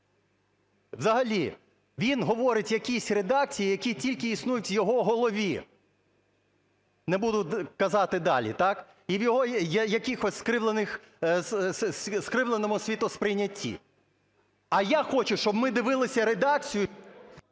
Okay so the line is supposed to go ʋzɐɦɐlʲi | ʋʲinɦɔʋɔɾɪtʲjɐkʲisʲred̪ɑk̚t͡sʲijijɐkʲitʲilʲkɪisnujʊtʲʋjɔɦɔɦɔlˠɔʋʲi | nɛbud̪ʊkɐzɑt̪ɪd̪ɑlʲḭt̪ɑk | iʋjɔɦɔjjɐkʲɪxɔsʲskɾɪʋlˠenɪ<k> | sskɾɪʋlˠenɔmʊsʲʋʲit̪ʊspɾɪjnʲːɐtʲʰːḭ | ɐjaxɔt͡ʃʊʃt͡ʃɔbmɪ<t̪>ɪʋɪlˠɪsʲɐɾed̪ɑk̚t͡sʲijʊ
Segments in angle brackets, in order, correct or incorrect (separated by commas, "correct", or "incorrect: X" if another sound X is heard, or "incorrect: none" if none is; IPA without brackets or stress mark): incorrect: x, incorrect: d̪